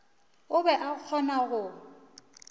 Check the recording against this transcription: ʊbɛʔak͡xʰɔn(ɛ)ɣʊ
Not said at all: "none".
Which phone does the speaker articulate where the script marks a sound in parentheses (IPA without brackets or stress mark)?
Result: a